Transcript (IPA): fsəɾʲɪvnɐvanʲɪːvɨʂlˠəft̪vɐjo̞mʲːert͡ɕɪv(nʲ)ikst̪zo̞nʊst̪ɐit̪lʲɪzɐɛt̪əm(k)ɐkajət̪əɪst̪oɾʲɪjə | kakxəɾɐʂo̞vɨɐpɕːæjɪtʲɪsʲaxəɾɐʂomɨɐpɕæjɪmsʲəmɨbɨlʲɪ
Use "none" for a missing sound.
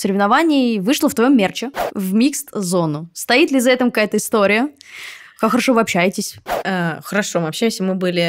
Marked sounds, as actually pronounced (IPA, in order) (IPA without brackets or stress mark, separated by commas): mʲ, k